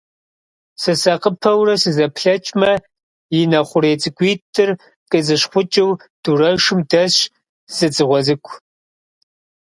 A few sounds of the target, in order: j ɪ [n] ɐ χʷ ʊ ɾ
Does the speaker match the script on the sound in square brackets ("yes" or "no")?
yes